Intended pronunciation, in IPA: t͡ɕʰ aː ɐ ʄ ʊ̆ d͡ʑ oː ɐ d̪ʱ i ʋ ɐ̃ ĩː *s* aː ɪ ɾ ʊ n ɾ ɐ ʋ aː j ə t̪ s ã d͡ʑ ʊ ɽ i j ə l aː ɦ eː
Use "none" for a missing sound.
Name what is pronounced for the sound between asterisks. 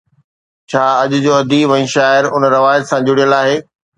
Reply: ʃ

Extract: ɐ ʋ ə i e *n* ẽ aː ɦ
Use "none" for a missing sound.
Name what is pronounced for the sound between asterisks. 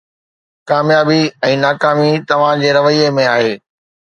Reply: m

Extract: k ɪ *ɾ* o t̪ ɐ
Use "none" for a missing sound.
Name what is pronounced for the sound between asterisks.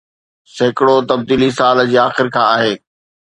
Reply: ɽ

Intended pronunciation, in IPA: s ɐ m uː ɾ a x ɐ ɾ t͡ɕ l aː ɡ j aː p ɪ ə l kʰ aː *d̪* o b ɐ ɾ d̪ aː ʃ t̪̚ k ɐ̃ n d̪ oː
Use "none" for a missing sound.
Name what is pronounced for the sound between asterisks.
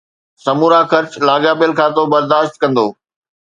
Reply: t̪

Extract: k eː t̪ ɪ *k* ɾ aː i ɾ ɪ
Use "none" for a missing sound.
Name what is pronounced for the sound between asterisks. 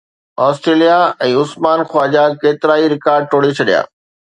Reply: none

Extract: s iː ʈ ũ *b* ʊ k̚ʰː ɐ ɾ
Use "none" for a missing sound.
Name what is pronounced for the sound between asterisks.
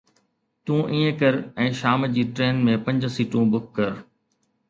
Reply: b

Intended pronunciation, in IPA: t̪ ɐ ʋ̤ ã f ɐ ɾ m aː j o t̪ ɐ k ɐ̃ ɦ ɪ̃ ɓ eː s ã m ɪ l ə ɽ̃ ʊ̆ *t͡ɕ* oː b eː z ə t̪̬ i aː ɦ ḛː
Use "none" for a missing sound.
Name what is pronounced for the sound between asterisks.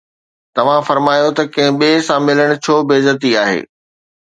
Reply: t͡ɕʰ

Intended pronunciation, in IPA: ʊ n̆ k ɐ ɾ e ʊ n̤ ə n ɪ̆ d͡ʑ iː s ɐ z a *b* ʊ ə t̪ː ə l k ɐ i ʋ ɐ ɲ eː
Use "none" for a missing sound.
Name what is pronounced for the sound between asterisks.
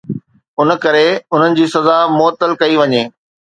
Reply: m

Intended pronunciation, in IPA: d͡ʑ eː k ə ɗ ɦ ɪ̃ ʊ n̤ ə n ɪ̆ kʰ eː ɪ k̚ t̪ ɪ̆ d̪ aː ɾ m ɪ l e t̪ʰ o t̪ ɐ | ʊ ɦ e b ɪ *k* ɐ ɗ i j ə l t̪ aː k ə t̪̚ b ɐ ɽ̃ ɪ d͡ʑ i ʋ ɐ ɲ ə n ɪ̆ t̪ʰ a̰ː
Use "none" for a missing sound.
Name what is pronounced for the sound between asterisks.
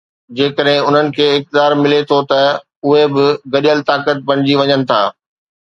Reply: ɡ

